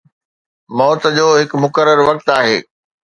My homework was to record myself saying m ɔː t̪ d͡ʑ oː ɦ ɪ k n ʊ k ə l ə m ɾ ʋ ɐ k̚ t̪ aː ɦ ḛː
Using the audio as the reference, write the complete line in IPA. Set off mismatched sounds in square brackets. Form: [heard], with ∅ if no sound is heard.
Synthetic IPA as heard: m ɔː t̪ d͡ʑ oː ɦ ɪ k [m] ʊ k ə [ɾ] ə [∅] ɾ ʋ ɐ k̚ t̪ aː ɦ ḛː